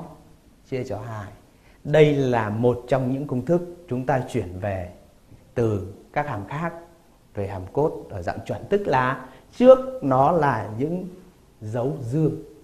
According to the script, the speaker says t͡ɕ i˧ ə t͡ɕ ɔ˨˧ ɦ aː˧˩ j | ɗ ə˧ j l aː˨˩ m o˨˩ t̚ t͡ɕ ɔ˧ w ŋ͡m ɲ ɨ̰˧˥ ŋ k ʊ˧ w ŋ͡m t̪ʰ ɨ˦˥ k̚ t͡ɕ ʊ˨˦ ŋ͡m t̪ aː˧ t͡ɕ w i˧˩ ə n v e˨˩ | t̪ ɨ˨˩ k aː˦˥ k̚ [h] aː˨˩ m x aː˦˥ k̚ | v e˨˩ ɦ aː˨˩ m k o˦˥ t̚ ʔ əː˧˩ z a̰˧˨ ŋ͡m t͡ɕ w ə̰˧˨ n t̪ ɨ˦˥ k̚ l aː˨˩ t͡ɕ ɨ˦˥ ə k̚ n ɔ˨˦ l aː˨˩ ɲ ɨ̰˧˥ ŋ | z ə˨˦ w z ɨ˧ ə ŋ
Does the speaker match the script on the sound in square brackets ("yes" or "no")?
yes